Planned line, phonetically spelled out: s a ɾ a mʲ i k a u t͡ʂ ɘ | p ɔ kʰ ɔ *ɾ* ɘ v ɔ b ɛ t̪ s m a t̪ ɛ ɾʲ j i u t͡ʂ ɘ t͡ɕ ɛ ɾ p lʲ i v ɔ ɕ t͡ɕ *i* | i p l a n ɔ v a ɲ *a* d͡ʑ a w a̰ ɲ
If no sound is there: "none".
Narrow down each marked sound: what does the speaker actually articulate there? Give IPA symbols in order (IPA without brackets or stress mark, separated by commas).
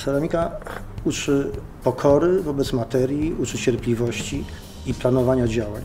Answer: ɾ, i, a